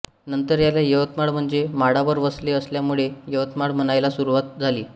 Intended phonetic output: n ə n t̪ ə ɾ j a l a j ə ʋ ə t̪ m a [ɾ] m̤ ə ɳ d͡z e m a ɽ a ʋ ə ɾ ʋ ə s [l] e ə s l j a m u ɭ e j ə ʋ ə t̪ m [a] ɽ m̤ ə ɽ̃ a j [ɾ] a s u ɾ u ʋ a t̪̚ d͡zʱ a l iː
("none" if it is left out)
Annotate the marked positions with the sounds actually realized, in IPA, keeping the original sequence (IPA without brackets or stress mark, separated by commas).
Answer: ɽ, l, a, l